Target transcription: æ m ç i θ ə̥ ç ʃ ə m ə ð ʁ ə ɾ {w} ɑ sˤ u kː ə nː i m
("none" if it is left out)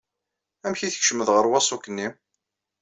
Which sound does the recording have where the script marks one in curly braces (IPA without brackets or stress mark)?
w